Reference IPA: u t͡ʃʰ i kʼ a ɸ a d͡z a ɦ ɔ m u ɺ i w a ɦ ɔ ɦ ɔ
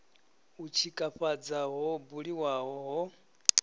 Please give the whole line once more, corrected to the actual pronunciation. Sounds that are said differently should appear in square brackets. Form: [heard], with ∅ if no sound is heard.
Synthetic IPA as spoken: u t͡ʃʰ i kʼ a ɸ a d͡z a ɦ ɔ [b] u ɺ i w a ɦ ɔ ɦ ɔ